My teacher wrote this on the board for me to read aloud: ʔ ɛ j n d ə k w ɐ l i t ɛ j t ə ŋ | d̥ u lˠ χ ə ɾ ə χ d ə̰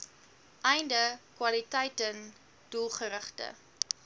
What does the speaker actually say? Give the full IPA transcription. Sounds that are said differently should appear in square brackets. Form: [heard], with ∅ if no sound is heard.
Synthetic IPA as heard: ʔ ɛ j n d ə k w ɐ l i t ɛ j t ə [n] | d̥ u lˠ χ ə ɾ ə χ [t] ə̰